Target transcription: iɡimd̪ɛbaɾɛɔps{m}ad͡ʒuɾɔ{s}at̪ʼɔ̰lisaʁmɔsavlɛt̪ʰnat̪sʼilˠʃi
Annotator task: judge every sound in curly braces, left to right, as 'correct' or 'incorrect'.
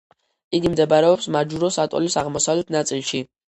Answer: correct, correct

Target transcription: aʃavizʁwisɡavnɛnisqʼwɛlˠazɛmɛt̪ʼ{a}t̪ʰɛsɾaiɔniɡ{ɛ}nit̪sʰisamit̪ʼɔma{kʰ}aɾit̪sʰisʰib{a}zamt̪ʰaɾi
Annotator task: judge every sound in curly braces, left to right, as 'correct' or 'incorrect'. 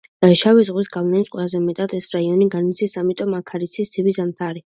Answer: correct, incorrect: a, correct, incorrect: i

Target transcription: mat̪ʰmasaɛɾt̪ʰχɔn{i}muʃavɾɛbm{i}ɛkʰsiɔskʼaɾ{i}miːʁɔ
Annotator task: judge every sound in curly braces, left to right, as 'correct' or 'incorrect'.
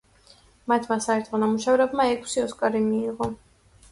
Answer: incorrect: a, incorrect: a, correct

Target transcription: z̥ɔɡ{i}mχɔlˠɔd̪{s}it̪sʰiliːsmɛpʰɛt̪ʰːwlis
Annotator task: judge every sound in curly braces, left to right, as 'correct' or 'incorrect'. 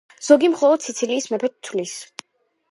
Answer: correct, correct

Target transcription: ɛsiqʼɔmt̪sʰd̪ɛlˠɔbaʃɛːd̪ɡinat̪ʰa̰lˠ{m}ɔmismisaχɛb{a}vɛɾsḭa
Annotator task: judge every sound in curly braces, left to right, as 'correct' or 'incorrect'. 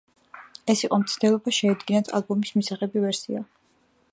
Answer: incorrect: b, incorrect: i

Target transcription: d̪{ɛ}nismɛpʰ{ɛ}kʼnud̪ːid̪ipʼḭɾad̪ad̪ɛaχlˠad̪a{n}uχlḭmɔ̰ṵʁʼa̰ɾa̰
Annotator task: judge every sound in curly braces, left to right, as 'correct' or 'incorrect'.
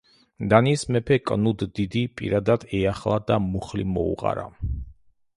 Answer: incorrect: a, correct, incorrect: m

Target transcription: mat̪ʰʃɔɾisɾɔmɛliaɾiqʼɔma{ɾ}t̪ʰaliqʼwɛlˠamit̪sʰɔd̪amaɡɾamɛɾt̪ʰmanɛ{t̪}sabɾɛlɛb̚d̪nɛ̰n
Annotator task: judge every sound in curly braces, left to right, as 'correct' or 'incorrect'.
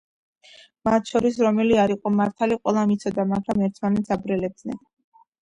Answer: correct, correct

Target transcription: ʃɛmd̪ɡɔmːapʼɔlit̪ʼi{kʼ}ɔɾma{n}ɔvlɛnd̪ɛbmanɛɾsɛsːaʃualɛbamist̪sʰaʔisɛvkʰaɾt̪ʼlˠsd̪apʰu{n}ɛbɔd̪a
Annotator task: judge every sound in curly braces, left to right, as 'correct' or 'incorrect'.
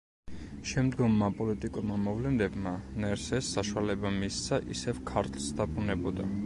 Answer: correct, incorrect: m, correct

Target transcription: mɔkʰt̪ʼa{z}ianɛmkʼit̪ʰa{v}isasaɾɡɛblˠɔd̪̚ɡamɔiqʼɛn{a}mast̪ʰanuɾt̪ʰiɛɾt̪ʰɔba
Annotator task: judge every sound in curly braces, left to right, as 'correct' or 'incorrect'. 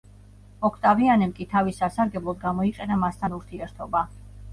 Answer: incorrect: v, correct, correct

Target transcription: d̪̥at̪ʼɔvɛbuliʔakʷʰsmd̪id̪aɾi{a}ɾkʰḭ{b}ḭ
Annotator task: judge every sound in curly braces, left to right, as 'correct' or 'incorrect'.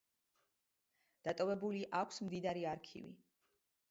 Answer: correct, incorrect: v

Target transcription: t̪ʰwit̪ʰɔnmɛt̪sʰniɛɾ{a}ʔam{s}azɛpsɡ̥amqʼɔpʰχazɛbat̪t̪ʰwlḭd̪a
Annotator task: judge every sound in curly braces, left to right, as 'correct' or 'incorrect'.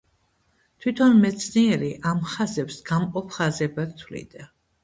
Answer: incorrect: i, incorrect: χ

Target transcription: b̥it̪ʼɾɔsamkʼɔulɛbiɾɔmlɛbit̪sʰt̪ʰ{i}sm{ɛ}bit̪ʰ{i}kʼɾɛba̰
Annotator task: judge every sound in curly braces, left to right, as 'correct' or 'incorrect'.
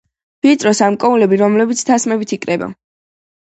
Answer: incorrect: a, correct, correct

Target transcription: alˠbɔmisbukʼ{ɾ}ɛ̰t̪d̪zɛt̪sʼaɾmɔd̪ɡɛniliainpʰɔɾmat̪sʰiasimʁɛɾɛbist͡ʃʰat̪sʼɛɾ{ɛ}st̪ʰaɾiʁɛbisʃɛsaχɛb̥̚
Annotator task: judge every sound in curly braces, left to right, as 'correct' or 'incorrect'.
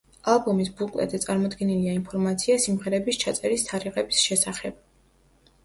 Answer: incorrect: l, incorrect: i

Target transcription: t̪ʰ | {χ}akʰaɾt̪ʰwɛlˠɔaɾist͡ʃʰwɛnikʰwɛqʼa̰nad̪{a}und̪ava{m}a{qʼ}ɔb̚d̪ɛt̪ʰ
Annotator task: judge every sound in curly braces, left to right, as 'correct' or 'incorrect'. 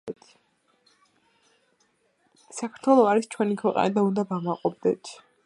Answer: incorrect: s, correct, correct, correct

